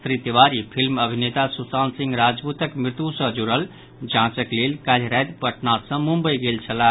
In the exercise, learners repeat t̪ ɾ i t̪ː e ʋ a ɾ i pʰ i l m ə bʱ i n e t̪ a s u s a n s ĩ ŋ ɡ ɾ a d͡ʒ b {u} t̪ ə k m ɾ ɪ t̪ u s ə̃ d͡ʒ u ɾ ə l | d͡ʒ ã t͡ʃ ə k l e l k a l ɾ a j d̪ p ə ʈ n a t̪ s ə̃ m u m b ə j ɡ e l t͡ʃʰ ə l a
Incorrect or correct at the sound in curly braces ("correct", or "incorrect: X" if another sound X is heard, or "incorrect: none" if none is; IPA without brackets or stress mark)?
correct